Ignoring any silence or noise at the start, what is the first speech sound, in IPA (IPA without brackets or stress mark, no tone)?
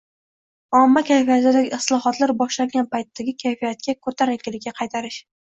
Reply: ɒ